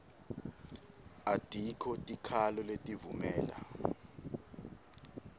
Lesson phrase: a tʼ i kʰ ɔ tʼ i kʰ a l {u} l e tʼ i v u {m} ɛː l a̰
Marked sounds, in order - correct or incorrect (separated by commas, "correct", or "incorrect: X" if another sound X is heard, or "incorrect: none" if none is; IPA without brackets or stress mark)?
incorrect: ɔ, correct